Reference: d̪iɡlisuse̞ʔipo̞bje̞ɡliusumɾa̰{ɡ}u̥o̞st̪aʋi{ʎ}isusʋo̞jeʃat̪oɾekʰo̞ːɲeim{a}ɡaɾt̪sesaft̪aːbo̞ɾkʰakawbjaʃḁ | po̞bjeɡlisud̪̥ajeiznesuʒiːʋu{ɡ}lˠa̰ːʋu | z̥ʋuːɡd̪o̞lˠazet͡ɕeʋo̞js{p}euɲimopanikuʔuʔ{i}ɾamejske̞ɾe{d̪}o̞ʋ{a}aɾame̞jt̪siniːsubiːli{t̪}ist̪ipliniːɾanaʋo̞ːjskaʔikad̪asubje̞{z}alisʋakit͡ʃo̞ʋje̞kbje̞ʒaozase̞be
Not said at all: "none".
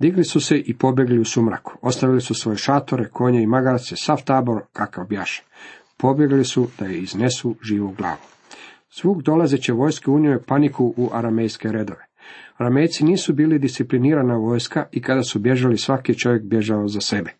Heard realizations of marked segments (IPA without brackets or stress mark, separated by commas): k, l, a, ɡ, k, a, d̪, e, d̪, ʒ